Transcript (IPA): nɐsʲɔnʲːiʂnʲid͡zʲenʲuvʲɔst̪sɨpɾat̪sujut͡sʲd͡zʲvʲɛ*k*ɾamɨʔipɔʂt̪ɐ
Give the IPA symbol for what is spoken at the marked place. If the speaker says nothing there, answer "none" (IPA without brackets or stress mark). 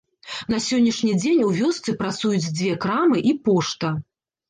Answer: k